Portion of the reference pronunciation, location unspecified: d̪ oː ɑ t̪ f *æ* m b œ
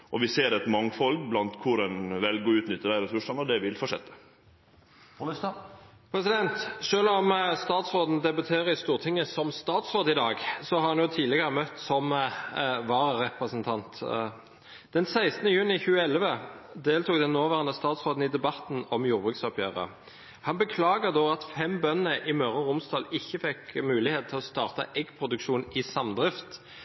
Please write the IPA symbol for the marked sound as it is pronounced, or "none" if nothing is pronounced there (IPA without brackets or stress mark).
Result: ɛ